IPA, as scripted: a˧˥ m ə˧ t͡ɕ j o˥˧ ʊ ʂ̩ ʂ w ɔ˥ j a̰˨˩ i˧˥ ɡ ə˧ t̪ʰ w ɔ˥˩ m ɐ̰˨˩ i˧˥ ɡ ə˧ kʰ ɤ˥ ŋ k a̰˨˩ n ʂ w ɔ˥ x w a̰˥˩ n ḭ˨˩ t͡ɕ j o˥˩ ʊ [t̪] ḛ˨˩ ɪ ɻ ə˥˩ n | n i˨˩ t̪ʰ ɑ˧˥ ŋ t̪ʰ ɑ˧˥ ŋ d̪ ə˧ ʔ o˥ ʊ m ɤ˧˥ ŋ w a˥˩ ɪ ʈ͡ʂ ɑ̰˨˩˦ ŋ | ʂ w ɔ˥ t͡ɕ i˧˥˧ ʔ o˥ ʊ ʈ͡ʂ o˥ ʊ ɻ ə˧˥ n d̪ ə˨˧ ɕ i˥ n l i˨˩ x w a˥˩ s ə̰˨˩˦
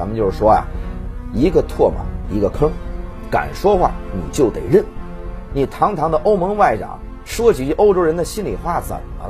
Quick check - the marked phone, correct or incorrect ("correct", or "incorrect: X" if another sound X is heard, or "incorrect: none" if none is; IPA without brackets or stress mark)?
correct